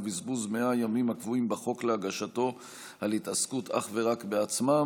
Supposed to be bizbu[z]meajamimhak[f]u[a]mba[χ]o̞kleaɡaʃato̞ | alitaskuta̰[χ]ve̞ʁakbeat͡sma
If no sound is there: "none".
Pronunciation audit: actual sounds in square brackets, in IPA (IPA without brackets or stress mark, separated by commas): z, v, i, χ, χ